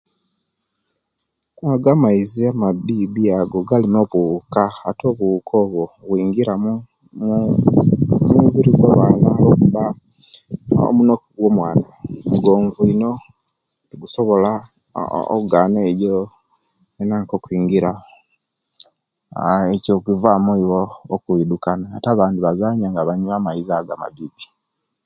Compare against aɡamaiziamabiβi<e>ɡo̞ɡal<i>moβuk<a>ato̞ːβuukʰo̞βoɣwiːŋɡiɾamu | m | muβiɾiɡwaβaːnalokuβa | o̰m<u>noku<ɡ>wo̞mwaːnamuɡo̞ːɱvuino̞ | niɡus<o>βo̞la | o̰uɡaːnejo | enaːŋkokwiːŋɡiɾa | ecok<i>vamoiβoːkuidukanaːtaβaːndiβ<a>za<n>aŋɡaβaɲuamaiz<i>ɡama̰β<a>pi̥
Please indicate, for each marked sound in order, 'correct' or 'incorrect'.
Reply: incorrect, correct, correct, correct, correct, correct, correct, correct, incorrect, incorrect, incorrect

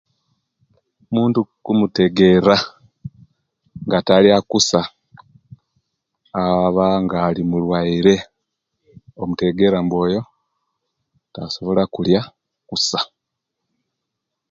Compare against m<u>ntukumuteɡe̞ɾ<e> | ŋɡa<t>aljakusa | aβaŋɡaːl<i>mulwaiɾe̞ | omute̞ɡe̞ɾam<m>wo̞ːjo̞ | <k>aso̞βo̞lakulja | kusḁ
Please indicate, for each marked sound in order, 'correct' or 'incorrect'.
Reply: incorrect, incorrect, correct, correct, incorrect, incorrect

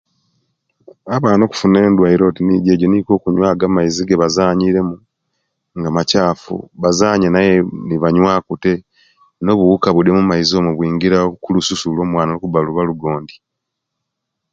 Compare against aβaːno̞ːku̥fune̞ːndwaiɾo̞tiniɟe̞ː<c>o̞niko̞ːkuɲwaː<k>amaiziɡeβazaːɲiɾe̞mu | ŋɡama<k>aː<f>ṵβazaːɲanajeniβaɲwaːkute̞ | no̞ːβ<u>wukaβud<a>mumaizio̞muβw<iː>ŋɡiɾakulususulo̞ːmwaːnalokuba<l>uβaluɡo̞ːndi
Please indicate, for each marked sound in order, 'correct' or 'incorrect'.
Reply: incorrect, incorrect, incorrect, correct, correct, incorrect, correct, correct

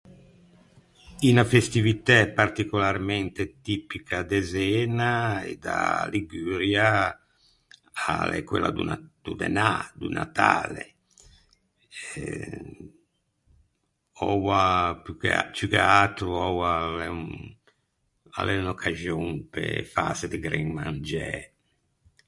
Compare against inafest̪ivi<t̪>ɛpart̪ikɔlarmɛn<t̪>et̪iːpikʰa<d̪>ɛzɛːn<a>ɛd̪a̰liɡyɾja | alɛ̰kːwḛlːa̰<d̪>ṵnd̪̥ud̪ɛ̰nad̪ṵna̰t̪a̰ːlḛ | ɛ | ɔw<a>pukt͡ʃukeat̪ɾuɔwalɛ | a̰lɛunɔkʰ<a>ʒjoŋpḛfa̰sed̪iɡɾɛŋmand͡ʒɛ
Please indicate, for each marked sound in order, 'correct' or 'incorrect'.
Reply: correct, correct, correct, correct, correct, correct, correct

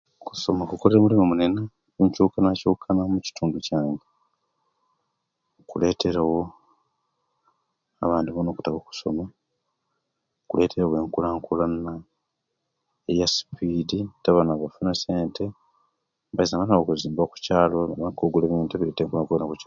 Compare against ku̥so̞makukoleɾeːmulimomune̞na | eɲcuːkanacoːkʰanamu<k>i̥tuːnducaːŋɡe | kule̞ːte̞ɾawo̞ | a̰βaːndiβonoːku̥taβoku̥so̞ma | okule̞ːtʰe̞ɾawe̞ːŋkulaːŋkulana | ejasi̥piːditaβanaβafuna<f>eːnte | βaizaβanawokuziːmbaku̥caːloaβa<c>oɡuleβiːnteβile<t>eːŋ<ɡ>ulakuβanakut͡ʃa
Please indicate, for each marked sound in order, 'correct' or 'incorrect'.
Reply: incorrect, incorrect, incorrect, correct, incorrect

